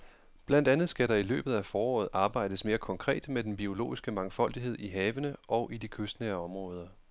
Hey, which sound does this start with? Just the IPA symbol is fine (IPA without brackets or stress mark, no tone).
b̥